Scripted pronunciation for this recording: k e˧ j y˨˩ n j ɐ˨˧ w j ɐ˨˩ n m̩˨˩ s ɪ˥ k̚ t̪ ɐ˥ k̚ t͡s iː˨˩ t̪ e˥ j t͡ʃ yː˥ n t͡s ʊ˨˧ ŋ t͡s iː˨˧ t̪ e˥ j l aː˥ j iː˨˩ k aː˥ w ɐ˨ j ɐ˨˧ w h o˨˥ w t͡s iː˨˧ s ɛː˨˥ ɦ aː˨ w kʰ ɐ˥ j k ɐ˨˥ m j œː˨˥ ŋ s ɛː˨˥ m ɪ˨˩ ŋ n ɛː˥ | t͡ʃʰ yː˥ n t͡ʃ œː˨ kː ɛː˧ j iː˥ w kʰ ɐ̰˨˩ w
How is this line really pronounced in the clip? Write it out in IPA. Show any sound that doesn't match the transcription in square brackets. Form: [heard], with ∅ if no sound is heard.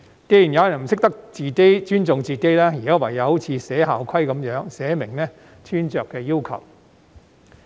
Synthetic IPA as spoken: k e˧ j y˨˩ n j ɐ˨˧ w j ɐ˨˩ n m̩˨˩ s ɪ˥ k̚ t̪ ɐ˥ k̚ t͡s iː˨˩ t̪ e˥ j t͡ʃ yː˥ n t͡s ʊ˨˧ ŋ t͡s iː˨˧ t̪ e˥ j l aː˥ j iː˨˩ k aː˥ w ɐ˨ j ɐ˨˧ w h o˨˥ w [t͡sʰ] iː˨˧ s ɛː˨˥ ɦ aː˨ w kʰ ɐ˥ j k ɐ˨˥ m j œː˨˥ ŋ s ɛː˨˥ m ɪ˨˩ ŋ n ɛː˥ | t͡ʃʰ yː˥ n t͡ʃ œː˨ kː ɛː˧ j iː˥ w kʰ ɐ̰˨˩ w